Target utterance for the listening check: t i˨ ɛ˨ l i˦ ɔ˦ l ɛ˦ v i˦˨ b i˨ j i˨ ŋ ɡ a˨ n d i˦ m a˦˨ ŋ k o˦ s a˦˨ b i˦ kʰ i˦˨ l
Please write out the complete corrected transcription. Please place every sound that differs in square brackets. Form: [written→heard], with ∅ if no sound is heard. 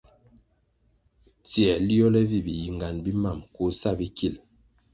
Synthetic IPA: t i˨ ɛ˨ l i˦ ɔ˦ l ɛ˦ v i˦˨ b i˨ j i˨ ŋ ɡ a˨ n [d→b] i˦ m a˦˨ [ŋ→m] k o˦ s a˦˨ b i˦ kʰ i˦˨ l